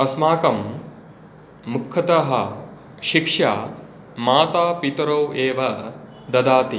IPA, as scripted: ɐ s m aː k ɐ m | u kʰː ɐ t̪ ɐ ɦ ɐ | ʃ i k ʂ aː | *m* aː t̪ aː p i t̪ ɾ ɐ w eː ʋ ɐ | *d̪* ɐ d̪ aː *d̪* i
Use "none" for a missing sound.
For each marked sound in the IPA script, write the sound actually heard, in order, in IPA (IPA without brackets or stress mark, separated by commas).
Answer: m, d̪, t̪